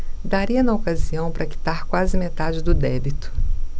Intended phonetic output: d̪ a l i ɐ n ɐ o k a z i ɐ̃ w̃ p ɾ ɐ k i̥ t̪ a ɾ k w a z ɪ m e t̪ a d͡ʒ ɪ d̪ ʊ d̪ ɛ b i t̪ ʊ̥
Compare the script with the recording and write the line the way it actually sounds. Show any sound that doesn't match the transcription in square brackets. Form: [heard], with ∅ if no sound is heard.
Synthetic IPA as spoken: d̪ a [ɾ] i ɐ n ɐ o k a z i ɐ̃ w̃ p ɾ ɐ k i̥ t̪ a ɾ k w a z ɪ m e t̪ a d͡ʒ ɪ d̪ ʊ d̪ ɛ b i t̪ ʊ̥

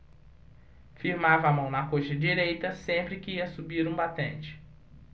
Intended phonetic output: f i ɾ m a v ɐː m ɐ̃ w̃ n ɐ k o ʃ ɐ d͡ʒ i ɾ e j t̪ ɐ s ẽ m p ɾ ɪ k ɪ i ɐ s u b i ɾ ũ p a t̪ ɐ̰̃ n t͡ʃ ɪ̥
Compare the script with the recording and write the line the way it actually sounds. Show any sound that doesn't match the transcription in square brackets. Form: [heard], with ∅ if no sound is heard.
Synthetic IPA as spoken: f i ɾ m a v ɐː m ɐ̃ w̃ n ɐ k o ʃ ɐ d͡ʒ i ɾ e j t̪ ɐ s ẽ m p ɾ ɪ k ɪ i ɐ s u b i ɾ ũ [b] a t̪ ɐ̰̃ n t͡ʃ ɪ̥

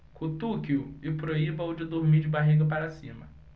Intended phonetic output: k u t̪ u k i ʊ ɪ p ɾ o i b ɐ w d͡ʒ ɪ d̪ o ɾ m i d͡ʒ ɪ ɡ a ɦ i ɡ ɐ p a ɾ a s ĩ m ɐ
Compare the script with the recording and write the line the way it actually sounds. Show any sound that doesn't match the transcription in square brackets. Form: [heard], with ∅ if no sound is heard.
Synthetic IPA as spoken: k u t̪ u k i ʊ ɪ p ɾ o i b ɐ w d͡ʒ ɪ d̪ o ɾ m i d͡ʒ ɪ [b] a ɦ i ɡ ɐ p a ɾ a s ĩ m ɐ

